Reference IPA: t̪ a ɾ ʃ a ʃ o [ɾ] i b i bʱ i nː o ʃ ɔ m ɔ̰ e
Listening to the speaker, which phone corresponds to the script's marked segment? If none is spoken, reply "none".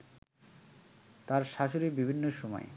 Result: ɾ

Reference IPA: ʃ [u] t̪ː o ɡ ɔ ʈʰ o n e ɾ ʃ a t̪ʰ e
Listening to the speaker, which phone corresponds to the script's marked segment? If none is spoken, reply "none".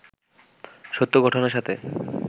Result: o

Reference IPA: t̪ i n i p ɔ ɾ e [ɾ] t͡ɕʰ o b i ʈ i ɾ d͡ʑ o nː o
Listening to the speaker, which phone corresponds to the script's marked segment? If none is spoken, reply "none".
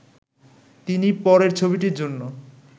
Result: ɾ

